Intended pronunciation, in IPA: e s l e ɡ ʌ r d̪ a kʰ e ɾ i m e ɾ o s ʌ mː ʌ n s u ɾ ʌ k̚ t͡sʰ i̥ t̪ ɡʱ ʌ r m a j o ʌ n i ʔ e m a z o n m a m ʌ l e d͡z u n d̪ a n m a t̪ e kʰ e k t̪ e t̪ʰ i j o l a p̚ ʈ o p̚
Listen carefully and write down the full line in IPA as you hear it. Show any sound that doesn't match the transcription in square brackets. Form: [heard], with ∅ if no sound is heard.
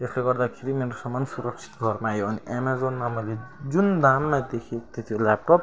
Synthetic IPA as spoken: e s l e ɡ ʌ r d̪ a kʰ e ɾ i m e ɾ o s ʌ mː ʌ n s u ɾ ʌ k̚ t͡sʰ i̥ t̪ ɡʱ ʌ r m a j o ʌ n i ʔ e m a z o n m a m ʌ l e d͡z u n d̪ a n m a [d̪] e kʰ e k t̪ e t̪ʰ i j o l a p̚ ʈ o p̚